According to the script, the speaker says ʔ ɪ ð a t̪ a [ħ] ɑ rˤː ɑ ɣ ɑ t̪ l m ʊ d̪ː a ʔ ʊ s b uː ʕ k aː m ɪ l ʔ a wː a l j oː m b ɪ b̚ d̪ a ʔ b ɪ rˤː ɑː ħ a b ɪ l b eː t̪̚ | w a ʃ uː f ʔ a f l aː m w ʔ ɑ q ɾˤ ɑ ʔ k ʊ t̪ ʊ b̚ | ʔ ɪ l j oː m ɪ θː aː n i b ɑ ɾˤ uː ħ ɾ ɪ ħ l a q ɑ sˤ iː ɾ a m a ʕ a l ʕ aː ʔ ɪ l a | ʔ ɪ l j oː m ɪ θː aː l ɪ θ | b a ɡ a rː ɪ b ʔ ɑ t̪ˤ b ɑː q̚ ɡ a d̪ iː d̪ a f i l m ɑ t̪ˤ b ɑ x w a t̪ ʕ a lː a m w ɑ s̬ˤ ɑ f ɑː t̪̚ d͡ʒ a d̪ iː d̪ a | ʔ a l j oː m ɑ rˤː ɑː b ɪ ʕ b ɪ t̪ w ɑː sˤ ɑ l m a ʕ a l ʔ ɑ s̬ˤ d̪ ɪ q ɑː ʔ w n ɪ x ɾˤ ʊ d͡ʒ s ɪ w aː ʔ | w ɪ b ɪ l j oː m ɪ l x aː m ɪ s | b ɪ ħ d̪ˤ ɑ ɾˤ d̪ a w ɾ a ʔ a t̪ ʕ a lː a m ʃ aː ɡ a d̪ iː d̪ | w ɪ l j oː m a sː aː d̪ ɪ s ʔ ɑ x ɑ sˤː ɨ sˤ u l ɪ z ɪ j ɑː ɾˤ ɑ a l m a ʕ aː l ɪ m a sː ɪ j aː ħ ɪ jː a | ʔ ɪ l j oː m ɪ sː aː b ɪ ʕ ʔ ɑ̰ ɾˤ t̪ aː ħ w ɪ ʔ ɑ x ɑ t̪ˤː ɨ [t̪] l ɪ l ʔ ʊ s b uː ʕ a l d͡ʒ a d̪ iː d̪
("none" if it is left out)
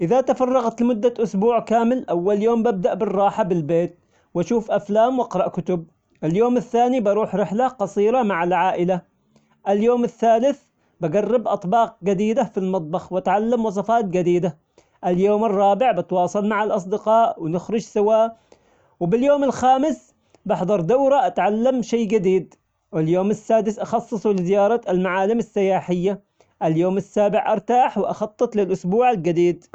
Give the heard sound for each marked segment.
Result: f, t̪

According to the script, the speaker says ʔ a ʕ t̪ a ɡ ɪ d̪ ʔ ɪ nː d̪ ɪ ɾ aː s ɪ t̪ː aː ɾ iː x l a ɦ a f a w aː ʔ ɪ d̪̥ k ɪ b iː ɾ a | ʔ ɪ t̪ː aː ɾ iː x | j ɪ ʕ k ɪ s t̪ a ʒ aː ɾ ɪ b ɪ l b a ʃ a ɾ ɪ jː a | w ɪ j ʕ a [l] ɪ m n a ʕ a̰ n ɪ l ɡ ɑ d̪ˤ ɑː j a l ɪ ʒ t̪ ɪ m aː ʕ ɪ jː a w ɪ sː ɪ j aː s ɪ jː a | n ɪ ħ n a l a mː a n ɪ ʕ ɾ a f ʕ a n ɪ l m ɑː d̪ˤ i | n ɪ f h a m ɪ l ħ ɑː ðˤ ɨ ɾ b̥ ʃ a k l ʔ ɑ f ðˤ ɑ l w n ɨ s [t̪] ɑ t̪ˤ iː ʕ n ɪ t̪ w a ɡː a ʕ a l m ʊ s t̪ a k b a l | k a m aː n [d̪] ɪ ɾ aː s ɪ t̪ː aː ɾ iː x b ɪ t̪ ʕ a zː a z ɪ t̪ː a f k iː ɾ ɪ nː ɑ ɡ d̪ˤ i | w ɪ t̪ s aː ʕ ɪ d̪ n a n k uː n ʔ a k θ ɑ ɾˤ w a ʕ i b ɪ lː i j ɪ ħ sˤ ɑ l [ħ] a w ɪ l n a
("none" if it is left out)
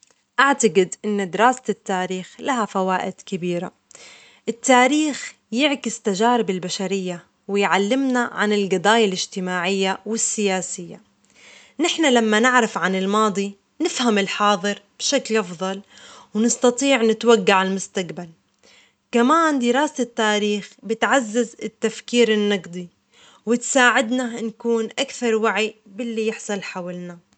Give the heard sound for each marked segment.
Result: lː, t̪, d̪, ħ

